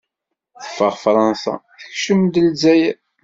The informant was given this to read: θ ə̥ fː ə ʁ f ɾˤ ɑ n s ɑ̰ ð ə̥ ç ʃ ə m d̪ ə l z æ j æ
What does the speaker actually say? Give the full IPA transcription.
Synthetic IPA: θ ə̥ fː ə ʁ f ɾˤ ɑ n s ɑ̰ θ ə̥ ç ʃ ə m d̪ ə l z æ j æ